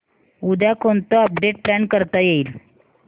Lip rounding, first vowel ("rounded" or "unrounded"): rounded